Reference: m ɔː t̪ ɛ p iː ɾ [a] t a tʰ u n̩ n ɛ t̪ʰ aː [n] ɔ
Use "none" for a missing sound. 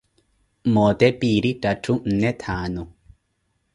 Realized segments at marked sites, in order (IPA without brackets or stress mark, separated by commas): i, n